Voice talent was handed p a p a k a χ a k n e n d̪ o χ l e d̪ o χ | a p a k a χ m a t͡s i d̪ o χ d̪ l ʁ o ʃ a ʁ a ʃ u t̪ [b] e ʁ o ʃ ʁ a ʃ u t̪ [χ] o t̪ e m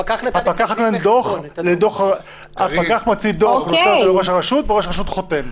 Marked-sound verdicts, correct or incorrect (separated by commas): incorrect, correct